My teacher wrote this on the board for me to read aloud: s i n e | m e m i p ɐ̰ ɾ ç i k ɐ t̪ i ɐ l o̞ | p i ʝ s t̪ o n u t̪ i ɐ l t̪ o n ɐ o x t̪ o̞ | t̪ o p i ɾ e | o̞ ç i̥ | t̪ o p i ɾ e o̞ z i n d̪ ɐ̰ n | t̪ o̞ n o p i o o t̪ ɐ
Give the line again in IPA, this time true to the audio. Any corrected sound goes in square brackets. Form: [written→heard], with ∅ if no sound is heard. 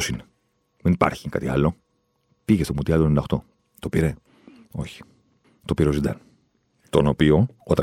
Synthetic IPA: s i n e | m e [m→n] i p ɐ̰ ɾ ç i k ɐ t̪ i ɐ l o̞ | p i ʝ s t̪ o [n→m] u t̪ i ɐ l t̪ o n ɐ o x t̪ o̞ | t̪ o p i ɾ e | o̞ ç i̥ | t̪ o p i ɾ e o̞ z i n d̪ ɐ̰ n | t̪ o̞ n o p i o o t̪ ɐ